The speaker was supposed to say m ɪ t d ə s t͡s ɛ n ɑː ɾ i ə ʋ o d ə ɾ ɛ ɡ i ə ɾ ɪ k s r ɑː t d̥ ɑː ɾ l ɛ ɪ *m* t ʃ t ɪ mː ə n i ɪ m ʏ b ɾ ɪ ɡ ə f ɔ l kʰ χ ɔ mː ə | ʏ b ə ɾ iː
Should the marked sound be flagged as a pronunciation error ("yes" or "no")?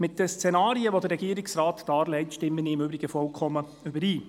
yes